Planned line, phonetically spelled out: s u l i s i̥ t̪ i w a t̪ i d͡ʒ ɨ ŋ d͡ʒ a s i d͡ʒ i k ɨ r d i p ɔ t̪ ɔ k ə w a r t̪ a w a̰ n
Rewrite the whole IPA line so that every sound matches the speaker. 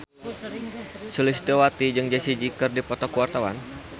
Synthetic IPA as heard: s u l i s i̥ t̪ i w a t̪ i d͡ʒ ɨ ŋ d͡ʒ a s i d͡ʒ i k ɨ r d i p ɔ t̪ ɔ k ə w a r t̪ a w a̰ n